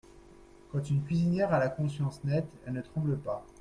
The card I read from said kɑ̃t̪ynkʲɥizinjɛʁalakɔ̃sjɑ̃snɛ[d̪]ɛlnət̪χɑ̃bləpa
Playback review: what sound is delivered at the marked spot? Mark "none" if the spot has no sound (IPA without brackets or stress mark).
t̪